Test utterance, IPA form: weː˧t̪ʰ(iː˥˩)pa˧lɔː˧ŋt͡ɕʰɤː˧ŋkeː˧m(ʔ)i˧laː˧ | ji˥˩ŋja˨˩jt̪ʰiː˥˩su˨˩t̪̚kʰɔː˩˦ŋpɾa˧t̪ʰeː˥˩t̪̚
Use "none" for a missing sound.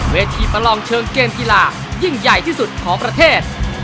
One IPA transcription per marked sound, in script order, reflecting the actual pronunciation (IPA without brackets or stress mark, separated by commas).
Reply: iː˧, k